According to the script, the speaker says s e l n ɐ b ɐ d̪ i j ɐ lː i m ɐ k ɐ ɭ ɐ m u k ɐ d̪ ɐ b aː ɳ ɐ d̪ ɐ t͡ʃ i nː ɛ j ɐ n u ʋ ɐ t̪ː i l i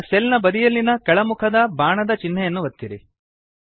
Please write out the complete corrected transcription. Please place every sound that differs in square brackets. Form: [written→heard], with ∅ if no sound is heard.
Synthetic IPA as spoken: s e l n ɐ b ɐ d̪ i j ɐ lː i [m→n] ɐ k ɐ ɭ ɐ m u [k→kʰ] ɐ d̪ ɐ b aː ɳ ɐ d̪ ɐ t͡ʃ i nː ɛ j ɐ [n→nː] u ʋ ɐ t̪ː i [l→ɾ] i

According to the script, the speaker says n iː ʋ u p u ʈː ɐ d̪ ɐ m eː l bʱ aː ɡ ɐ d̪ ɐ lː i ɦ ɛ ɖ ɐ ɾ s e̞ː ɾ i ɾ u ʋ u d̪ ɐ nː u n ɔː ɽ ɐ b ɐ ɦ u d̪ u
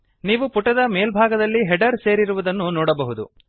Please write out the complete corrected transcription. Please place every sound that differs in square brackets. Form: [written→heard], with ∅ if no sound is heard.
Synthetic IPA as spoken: n iː ʋ u p u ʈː ɐ d̪ ɐ m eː l bʱ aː ɡ ɐ d̪ ɐ lː i ɦ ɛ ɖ ɐ ɾ s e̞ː ɾ i ɾ u ʋ u d̪ ɐ nː u n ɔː ɽ ɐ b ɐ ɦ u d̪ u

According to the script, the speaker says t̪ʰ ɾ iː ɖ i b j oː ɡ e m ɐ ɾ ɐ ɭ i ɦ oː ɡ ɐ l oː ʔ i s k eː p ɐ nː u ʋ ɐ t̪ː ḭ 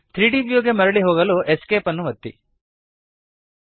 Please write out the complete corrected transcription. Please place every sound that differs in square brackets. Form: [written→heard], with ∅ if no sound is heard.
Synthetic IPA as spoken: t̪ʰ ɾ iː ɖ i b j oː ɡ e m ɐ ɾ ɐ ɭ i ɦ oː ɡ ɐ l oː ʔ [i→e] s k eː p ɐ nː u ʋ ɐ t̪ː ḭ

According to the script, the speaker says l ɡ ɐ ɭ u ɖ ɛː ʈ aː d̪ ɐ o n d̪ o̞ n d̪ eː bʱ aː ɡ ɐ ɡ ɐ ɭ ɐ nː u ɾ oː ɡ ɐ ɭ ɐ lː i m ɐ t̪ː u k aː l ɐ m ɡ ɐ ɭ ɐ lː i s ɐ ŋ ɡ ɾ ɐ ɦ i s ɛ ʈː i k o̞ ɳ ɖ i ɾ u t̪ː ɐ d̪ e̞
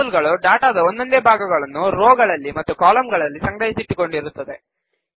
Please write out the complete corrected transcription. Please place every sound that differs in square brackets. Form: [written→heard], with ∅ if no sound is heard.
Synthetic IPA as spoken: l ɡ ɐ ɭ u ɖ [ɛː→aː] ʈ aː d̪ ɐ o n d̪ o̞ n d̪ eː bʱ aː ɡ ɐ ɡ ɐ ɭ ɐ nː u ɾ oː ɡ ɐ ɭ ɐ lː i m ɐ t̪ː u k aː l ɐ m ɡ ɐ ɭ ɐ lː i s ɐ ŋ ɡ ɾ ɐ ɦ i s [ɛ→i] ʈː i k o̞ ɳ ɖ i ɾ u t̪ː ɐ d̪ e̞

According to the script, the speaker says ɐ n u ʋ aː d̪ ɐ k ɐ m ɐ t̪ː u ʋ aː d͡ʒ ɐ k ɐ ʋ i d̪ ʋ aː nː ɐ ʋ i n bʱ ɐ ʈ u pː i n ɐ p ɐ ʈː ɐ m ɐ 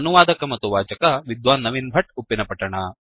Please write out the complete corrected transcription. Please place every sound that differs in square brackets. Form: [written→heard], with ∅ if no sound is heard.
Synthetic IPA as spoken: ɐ n u ʋ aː d̪ ɐ k ɐ m ɐ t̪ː u ʋ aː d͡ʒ ɐ k ɐ ʋ i d̪ ʋ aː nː ɐ ʋ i n bʱ ɐ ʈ u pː i n ɐ p ɐ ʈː ɐ [m→ɳ] ɐ

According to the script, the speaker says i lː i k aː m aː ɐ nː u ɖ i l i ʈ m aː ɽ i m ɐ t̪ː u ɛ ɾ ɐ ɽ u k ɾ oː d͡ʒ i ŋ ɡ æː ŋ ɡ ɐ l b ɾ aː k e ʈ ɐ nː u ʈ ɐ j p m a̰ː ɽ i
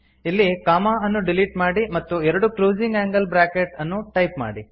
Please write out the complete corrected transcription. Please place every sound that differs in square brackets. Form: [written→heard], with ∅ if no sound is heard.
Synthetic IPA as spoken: i lː i k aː m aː ɐ nː u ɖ i l i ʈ m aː ɽ i m ɐ t̪ː u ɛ ɾ ɐ ɽ u k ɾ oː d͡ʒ i ŋ ɡ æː ŋ ɡ ɐ l b ɾ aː k e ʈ ɐ nː u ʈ ɐ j p m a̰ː ɽ i

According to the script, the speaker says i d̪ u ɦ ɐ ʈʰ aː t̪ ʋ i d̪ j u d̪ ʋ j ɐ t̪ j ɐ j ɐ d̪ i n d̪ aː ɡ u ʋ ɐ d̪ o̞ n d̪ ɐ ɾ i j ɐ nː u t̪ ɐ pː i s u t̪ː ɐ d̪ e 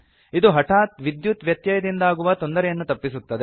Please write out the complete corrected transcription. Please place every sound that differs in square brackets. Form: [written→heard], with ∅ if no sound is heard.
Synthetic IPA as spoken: i d̪ u ɦ ɐ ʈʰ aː t̪ ʋ i d̪ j u [d̪→t̪] ʋ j ɐ t̪ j ɐ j ɐ d̪ i n d̪ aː ɡ u ʋ ɐ [d̪→t̪] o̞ n d̪ ɐ ɾ [i→ɛ] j ɐ nː u t̪ ɐ pː i s u t̪ː ɐ d̪ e

